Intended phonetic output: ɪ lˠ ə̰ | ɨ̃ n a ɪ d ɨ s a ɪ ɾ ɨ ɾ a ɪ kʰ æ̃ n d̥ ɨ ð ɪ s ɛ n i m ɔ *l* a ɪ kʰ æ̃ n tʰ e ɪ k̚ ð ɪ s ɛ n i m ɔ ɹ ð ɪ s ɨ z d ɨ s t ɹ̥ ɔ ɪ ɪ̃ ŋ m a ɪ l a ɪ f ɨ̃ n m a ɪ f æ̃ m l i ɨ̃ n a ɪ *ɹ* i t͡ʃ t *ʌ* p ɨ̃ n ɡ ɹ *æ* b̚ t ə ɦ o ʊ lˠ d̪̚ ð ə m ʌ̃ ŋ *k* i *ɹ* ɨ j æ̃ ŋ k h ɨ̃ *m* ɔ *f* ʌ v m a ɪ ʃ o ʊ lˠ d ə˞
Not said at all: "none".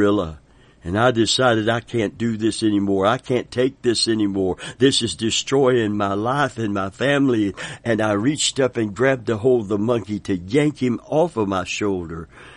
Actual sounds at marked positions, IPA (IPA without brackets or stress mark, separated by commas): ɹ, ɹ, ʌ, æ, k, ɾ, m, f